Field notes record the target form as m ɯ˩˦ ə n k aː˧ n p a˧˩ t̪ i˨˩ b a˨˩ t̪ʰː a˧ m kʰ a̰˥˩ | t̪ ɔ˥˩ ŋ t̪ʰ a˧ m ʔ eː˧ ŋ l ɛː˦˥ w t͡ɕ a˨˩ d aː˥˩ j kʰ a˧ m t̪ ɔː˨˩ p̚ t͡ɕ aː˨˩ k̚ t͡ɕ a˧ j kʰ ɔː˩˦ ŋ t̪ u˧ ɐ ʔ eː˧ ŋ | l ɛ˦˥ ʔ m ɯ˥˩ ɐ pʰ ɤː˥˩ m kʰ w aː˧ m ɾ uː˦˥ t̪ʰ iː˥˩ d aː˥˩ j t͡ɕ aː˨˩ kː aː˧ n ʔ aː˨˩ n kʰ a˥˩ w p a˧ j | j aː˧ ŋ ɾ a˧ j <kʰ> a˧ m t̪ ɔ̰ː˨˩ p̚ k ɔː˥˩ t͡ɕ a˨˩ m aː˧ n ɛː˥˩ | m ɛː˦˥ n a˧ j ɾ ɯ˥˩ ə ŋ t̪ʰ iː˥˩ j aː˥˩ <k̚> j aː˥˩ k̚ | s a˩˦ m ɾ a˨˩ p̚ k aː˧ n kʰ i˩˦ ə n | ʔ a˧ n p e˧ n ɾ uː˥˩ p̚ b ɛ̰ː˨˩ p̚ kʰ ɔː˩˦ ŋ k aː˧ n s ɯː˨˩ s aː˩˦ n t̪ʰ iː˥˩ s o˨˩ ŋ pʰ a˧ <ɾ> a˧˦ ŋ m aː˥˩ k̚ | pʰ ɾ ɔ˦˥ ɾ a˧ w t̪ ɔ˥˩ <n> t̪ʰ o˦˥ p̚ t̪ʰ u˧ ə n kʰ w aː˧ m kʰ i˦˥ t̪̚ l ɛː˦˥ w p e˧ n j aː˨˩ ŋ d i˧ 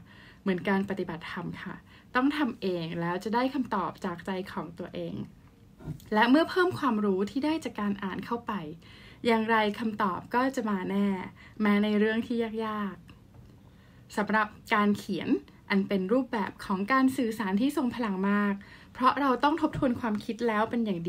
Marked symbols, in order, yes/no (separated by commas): yes, yes, no, no